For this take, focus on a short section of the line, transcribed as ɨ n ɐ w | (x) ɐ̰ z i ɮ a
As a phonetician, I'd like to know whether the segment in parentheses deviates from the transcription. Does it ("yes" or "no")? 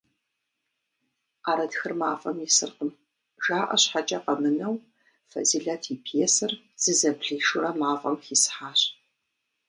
yes